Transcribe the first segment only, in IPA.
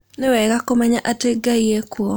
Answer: n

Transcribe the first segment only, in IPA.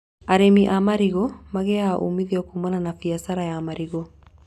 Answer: a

